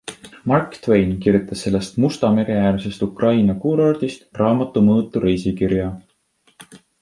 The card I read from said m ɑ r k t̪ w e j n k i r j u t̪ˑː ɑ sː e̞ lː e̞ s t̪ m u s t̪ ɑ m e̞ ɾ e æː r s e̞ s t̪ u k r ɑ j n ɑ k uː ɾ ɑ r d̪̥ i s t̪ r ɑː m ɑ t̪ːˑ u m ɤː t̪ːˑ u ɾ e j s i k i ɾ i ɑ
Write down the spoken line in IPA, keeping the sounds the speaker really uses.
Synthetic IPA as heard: m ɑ r k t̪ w e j n k i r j u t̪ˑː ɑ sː e̞ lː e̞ s t̪ m u s t̪ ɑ m e̞ ɾ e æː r s e̞ s t̪ u k r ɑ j n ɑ k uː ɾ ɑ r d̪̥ i s t̪ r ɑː m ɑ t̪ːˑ u m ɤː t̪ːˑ u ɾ e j s i k i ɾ j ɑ